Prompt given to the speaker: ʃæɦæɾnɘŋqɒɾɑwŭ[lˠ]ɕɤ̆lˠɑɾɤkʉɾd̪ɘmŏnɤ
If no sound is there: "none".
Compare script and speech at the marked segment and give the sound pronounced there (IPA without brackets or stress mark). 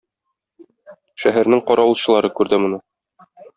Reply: lˠ